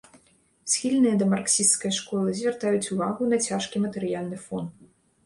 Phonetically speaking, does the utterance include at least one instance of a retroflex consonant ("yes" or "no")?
yes